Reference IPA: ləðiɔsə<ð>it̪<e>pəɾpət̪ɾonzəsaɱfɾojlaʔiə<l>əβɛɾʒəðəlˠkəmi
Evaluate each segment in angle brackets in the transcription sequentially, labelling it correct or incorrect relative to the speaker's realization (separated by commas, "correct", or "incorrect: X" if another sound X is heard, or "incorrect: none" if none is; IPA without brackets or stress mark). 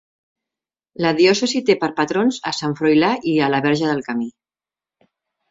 incorrect: z, correct, correct